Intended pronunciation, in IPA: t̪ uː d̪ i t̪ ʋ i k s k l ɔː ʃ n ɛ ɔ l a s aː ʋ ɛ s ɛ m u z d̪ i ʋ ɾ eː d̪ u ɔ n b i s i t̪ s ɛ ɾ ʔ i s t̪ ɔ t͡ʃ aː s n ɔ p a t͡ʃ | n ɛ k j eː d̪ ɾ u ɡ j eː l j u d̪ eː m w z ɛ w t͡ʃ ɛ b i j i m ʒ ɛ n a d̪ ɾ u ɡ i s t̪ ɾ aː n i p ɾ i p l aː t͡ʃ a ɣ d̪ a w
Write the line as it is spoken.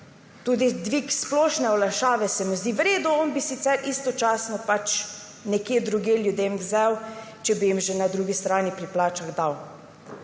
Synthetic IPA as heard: t̪ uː d̪ i d̪ ʋ i k s p l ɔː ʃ n ɛ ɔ l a ʃ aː ʋ ɛ s ɛ m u z d̪ i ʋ ɾ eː d̪ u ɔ n b i s i t̪ s ɛ ɾ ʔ i s t̪ ɔ t͡ʃ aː s n ɔ p a t͡ʃ | n ɛ k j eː d̪ ɾ u ɡ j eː l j u d̪ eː m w z ɛ w t͡ʃ ɛ b i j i m ʒ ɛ n a d̪ ɾ u ɡ i s t̪ ɾ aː n i p ɾ i p l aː t͡ʃ a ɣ d̪ a w

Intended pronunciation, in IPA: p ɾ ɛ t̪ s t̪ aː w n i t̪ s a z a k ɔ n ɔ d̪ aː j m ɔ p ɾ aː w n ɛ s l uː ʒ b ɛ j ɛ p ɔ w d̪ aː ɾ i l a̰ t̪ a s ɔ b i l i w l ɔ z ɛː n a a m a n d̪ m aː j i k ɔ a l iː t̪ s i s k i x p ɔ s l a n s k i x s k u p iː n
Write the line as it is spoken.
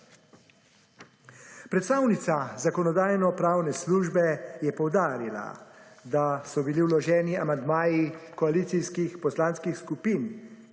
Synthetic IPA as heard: p ɾ ɛ t̪ s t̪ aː w n i t̪ s a z a k ɔ n ɔ d̪ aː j n ɔ p ɾ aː w n ɛ s l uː ʒ b ɛ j ɛ p ɔ w d̪ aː ɾ i l a̰ d̪ a s ɔ b i l i w l ɔ ʒ ɛː n i a m a n d̪ m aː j i k ɔ a l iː t̪ s i s k i x p ɔ s l a n s k i x s k u p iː n

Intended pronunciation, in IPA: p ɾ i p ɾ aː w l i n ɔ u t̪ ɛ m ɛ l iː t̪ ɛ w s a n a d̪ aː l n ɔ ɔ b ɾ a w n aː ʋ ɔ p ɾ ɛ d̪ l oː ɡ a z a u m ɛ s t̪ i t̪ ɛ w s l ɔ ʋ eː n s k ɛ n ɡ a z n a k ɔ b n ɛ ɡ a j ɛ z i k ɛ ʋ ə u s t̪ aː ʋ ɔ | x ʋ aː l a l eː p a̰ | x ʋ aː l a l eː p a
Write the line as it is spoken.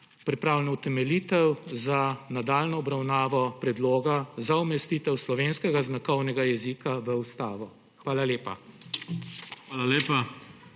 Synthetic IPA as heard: p ɾ i p ɾ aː w l ɛ n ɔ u t̪ ɛ m ɛ l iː t̪ ɛ w z a n a d̪ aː l n ɔ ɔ b ɾ a w n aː ʋ ɔ p ɾ ɛ d̪ l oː ɡ a z a u m ɛ s t̪ i t̪ ɛ w s l ɔ ʋ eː n s k ɛ ɡ a z n a k ɔ w n ɛ ɡ a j ɛ z i k a ʋ ə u s t̪ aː ʋ ɔ | x ʋ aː l a l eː p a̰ | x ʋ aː l a l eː p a

